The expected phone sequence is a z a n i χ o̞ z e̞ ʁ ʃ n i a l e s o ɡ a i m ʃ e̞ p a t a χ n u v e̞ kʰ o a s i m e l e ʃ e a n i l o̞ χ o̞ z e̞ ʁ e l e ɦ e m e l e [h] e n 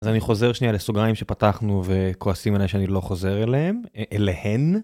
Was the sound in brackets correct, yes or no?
yes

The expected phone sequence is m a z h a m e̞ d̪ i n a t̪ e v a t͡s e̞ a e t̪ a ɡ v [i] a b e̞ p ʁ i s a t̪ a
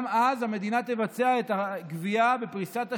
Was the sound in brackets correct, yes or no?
yes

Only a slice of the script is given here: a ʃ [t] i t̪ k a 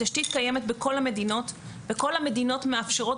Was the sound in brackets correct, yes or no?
yes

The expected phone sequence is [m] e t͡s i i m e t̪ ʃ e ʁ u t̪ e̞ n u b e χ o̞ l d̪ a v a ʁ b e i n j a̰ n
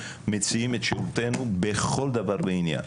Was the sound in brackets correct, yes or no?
yes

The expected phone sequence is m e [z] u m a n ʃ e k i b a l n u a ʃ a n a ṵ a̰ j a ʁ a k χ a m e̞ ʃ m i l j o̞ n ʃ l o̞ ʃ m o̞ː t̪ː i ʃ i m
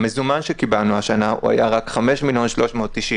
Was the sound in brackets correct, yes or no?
yes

